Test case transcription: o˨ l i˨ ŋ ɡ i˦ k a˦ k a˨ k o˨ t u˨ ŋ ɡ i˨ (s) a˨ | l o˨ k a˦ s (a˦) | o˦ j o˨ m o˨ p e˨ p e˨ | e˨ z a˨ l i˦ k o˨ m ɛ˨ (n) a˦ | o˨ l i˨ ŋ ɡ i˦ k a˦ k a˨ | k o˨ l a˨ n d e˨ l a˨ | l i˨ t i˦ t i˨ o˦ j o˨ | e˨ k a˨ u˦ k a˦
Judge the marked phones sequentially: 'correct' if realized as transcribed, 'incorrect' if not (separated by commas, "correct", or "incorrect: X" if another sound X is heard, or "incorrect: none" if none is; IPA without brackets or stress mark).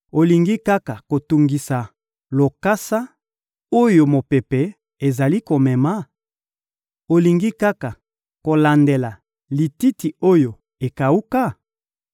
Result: correct, correct, incorrect: m